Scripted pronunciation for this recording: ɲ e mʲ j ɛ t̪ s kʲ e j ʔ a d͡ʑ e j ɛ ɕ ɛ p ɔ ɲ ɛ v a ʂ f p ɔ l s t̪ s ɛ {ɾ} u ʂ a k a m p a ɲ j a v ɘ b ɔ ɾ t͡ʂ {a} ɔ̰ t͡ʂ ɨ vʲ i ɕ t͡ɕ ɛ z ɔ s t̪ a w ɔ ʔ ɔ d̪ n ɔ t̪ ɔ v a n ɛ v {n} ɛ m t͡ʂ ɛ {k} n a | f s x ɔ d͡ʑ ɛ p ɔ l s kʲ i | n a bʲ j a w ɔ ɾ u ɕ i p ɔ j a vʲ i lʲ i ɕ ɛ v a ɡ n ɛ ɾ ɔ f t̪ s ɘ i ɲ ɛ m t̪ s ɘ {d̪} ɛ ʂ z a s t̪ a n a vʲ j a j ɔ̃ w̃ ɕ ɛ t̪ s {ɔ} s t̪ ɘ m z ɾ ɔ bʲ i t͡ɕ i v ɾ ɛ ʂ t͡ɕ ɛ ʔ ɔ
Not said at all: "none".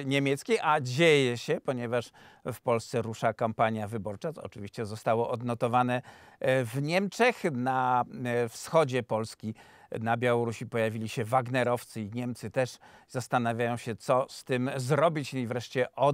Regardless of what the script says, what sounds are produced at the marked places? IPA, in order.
ɾ, a, ɲ, x, t̪, ɔ

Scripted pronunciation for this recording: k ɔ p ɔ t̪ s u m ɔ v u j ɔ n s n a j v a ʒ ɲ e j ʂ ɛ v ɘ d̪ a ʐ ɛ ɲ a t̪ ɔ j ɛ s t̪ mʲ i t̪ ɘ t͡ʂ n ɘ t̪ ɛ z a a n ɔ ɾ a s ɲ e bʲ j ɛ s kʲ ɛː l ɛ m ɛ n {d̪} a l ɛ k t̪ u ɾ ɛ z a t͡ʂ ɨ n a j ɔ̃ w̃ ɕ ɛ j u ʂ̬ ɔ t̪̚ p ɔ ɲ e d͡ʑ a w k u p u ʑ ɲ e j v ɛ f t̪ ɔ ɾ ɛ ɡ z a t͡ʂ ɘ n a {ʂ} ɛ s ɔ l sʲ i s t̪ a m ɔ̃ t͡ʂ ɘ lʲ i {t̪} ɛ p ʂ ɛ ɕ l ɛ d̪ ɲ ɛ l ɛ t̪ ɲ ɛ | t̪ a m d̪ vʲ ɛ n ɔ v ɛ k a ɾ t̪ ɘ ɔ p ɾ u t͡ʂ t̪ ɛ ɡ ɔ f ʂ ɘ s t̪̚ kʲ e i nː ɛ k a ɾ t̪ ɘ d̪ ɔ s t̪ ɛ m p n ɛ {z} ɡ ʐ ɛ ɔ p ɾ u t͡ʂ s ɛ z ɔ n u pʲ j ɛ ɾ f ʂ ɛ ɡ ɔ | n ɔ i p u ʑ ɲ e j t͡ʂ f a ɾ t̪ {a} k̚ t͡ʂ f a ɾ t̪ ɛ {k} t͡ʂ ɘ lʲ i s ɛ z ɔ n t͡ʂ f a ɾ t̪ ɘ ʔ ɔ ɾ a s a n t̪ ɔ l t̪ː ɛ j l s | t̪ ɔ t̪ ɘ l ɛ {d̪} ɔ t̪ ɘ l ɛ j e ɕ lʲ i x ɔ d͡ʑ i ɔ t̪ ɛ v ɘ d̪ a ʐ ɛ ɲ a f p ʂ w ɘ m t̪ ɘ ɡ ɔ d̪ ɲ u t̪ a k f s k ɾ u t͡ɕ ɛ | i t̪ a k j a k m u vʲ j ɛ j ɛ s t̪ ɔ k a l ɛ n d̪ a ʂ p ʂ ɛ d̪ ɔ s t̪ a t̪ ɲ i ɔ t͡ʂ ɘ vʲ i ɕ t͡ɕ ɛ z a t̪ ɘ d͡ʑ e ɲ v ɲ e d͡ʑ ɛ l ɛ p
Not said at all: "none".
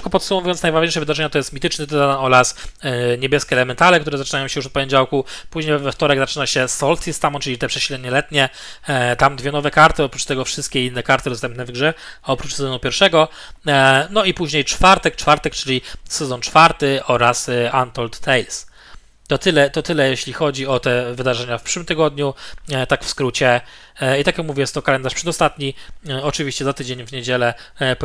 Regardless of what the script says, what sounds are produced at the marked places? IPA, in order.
t̪, ɕ, t̪, v, ɛ, k, t̪

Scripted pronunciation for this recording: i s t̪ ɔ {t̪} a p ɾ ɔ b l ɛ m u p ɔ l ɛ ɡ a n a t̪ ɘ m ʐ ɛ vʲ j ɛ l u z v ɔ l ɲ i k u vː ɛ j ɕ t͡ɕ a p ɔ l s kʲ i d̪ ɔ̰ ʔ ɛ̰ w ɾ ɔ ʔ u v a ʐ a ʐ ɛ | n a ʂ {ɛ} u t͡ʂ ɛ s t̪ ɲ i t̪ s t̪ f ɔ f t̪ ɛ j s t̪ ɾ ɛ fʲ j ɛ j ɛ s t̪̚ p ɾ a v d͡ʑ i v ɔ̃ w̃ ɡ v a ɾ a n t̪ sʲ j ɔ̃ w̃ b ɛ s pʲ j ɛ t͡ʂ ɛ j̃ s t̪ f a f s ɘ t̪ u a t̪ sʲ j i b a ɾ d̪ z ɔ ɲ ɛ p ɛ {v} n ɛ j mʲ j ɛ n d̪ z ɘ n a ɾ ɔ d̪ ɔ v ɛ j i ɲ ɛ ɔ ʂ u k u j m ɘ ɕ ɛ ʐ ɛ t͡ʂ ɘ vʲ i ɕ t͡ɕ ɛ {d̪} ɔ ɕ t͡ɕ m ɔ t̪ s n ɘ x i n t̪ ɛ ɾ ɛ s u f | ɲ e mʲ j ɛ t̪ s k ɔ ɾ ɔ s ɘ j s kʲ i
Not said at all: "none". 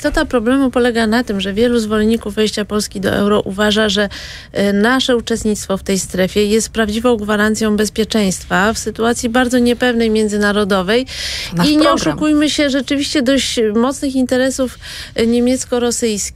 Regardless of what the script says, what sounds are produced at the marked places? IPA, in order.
t̪, ɛ, v, d̪

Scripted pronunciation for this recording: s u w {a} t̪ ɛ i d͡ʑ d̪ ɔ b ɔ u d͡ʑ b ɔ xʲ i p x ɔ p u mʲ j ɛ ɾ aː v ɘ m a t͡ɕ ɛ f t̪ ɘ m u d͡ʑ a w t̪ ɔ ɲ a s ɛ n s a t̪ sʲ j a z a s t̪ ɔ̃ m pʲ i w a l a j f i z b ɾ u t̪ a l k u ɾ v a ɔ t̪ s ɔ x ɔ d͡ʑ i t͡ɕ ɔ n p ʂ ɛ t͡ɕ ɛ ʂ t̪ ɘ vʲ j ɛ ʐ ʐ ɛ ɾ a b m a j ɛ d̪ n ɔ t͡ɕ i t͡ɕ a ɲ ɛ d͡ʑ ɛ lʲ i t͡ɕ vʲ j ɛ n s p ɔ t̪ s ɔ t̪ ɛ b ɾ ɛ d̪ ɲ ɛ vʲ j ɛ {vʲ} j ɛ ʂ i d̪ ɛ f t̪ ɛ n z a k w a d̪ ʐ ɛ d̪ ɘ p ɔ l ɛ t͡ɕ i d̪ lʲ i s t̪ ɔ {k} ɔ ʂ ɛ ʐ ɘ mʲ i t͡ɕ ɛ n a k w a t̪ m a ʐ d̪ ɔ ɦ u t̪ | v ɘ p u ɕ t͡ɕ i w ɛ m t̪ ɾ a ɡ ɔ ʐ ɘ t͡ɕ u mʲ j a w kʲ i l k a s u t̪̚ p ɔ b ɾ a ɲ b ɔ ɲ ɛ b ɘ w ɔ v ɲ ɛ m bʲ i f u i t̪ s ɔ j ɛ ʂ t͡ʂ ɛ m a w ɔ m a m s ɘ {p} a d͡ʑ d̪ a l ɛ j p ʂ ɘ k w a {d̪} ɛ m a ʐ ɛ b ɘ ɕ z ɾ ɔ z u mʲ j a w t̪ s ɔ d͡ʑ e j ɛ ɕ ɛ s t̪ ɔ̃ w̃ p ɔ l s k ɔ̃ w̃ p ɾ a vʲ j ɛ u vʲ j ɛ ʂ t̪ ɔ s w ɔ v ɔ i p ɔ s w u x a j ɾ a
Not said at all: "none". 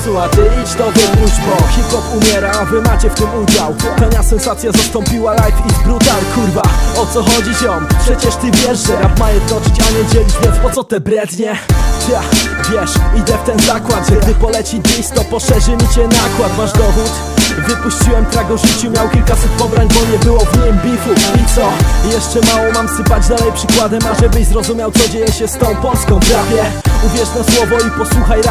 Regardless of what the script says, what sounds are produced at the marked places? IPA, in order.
a, vʲ, p, p, d̪

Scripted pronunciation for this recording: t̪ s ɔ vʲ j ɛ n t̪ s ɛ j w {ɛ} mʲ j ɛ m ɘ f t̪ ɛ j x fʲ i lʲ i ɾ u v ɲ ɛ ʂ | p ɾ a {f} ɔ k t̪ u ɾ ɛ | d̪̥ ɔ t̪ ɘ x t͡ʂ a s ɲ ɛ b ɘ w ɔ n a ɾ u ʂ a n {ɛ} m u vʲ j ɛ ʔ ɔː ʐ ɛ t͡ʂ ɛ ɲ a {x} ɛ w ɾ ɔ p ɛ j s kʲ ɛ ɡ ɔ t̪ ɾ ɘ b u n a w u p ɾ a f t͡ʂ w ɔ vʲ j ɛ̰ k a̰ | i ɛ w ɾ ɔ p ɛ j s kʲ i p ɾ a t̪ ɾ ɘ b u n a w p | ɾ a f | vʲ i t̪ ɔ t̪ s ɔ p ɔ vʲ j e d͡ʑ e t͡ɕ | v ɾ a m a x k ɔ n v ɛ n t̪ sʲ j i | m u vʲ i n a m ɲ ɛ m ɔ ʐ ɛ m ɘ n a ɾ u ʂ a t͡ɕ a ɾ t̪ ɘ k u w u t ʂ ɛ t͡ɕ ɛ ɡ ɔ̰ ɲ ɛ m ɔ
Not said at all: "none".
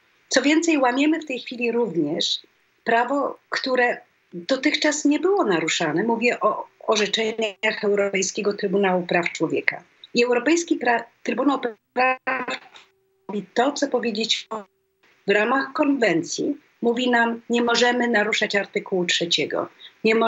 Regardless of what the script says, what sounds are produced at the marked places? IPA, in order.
a, v, ɛ, x

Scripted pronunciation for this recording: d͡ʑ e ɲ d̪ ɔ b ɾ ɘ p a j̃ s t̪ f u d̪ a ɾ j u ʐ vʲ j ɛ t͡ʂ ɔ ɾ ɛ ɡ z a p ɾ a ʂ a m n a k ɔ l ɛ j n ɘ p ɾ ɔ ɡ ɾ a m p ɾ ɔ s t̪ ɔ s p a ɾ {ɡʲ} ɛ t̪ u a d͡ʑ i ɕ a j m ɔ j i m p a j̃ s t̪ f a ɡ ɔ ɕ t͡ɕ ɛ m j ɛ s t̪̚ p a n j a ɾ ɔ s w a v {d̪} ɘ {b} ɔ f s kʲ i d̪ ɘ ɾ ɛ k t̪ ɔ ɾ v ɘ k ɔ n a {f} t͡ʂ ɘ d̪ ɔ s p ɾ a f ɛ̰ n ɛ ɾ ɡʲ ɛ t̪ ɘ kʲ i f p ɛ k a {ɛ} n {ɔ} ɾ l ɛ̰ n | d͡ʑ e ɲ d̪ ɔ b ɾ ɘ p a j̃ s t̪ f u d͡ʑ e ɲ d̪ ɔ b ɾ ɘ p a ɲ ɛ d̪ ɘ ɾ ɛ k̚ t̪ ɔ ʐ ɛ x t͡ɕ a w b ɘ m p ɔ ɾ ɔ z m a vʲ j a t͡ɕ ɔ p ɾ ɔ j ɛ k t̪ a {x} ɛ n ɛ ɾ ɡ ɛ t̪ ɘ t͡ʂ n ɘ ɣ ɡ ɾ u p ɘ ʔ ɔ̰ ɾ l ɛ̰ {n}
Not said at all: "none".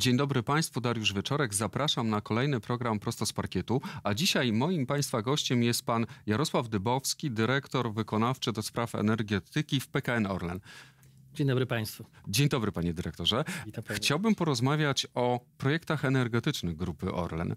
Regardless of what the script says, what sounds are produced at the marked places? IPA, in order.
kʲ, d̪, b, f, ɛ, ɔ, x, n

